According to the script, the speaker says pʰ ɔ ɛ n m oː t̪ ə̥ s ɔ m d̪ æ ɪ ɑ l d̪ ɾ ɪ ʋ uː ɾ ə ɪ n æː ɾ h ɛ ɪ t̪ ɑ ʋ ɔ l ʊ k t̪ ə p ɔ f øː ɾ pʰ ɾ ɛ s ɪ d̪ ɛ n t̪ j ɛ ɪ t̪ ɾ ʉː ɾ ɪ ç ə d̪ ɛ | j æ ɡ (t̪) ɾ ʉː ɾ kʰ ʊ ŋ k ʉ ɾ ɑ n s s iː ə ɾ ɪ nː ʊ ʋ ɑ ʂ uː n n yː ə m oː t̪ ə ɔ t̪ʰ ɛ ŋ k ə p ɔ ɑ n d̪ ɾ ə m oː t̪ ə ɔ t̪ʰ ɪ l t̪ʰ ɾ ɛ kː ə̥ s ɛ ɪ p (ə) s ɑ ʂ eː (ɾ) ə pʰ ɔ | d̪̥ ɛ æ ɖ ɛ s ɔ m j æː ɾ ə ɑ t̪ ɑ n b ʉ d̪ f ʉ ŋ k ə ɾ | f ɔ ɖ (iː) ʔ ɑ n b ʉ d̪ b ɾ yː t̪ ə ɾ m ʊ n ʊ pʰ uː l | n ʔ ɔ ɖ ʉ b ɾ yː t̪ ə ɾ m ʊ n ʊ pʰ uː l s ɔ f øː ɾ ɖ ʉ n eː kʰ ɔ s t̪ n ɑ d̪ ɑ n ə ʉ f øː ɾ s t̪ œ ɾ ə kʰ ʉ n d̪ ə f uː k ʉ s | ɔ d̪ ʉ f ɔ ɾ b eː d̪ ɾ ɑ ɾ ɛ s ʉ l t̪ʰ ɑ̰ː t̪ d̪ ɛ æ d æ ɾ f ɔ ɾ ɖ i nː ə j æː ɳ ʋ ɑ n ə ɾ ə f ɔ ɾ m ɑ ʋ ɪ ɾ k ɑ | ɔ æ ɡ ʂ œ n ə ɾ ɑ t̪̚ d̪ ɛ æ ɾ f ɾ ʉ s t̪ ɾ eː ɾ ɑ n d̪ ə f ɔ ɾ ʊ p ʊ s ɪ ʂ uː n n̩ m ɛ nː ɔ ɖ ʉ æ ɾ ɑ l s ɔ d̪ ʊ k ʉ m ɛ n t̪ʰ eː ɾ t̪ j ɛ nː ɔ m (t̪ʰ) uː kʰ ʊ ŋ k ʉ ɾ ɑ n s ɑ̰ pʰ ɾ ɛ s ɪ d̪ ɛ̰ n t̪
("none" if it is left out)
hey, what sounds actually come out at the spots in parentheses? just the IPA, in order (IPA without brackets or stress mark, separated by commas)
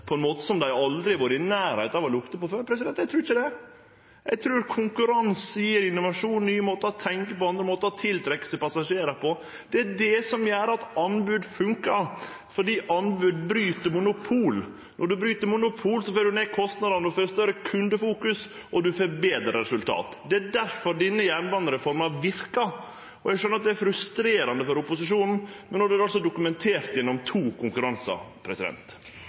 t̪ʰ, ɑ, ɾ, iː, t̪ʰ